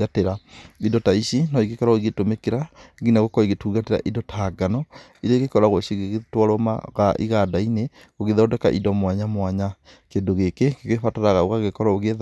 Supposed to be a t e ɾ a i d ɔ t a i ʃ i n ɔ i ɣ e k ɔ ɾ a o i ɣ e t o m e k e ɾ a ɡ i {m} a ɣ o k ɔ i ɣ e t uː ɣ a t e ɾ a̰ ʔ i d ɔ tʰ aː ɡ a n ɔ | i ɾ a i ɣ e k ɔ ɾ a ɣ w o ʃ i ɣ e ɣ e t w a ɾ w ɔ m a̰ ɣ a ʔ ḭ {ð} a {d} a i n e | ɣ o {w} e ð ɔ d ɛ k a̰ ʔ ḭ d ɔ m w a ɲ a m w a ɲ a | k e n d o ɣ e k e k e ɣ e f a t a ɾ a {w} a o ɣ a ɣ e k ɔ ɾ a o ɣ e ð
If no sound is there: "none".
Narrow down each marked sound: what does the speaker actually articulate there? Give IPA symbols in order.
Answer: n, ɣ, d, ɣ, ɣ

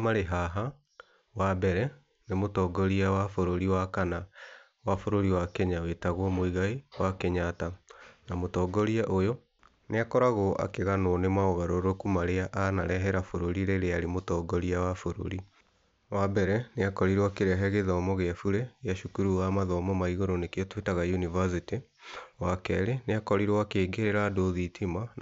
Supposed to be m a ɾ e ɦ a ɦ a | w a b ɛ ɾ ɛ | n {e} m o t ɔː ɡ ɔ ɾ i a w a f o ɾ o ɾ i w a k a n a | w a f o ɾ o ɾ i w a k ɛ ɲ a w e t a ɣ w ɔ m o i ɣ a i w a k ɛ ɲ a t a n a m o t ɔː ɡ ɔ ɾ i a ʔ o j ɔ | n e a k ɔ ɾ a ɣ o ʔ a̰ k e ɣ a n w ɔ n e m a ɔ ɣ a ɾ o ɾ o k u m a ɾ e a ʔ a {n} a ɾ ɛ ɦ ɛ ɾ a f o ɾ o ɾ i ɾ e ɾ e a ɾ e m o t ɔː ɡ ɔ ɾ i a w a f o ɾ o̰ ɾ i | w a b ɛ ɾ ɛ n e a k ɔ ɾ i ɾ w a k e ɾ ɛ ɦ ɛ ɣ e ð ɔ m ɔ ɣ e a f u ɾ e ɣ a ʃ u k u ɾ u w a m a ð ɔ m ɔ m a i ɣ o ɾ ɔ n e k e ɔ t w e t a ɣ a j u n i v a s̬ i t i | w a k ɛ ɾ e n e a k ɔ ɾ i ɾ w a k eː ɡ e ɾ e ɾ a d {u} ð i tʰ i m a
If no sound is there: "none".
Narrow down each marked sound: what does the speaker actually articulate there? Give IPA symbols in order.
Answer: e, n, o

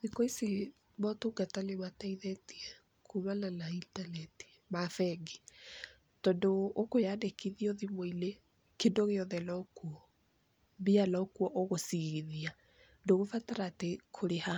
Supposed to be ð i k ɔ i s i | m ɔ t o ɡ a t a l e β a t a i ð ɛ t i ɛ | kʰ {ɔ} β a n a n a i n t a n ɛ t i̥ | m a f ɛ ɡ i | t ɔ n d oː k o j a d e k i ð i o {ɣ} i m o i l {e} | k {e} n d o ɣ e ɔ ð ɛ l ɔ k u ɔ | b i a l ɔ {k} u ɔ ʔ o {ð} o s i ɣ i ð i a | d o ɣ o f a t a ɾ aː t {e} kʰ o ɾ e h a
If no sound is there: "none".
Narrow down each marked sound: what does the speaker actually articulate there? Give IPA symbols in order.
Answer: u, ð, e, e, k, ɣ, e

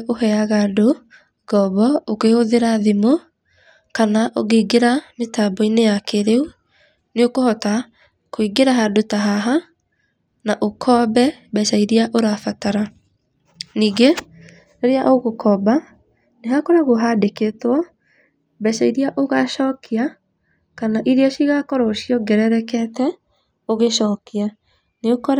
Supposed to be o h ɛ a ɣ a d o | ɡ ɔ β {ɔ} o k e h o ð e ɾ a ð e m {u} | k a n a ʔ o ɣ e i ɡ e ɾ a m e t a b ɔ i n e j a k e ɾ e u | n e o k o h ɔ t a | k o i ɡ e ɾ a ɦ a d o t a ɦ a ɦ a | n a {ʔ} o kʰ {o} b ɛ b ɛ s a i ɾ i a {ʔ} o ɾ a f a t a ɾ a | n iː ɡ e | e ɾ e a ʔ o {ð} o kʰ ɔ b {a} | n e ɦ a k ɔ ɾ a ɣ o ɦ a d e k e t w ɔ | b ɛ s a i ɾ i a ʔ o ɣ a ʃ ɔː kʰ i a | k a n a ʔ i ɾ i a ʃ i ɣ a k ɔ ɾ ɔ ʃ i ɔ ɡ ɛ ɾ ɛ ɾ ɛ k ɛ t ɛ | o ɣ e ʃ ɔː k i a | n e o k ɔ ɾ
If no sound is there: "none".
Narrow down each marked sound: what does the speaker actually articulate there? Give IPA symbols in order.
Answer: ɔ, o, ʔ, ɔ, ʔ, ɣ, a

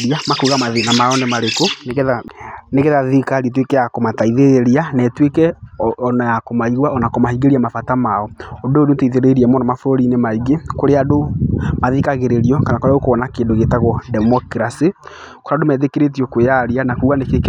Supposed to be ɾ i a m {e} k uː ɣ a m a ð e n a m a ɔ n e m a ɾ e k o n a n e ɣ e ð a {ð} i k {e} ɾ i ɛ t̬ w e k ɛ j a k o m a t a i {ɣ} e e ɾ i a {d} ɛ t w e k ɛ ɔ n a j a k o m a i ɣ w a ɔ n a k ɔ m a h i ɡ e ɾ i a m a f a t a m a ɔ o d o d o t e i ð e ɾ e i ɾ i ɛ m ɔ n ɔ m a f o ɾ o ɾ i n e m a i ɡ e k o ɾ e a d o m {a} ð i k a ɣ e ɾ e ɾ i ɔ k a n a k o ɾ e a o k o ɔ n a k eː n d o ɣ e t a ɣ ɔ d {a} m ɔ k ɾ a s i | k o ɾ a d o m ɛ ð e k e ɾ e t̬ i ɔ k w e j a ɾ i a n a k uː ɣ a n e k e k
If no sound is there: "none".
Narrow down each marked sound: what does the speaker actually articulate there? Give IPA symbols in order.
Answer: a, ð, a, ð, n, a, ɛ

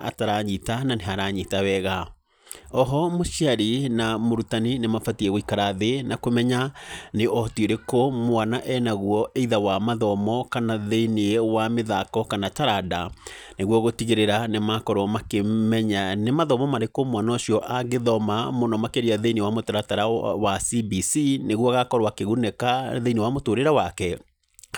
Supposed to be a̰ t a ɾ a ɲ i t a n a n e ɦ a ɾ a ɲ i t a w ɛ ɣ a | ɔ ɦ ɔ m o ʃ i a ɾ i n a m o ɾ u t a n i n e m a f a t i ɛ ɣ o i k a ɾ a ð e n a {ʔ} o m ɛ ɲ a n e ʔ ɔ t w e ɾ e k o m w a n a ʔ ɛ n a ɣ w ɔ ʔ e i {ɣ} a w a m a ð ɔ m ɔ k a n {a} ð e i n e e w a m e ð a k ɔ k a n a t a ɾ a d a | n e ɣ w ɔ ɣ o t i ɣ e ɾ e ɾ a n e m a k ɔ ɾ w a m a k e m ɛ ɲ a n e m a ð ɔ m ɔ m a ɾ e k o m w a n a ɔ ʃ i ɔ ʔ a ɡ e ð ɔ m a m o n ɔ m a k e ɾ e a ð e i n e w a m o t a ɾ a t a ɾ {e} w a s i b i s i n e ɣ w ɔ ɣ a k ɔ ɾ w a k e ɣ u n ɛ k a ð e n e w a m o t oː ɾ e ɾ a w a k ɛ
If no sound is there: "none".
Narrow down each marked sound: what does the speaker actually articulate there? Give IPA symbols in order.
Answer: k, ð, a, a

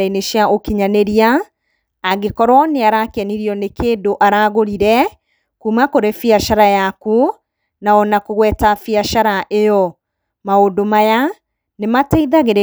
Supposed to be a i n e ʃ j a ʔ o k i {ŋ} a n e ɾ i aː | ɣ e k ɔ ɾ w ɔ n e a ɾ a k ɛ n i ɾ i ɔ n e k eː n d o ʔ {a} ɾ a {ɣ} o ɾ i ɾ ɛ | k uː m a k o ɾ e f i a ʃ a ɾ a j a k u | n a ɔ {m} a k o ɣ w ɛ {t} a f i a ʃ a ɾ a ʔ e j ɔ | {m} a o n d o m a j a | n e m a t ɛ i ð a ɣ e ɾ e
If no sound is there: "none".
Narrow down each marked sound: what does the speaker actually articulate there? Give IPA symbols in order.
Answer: ɲ, a, ɣ, n, t, m

